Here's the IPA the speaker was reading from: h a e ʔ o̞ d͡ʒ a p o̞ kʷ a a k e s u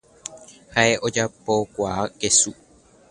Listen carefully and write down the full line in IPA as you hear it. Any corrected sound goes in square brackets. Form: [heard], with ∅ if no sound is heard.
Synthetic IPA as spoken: h a e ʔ o̞ d͡ʒ a p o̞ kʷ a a k e s u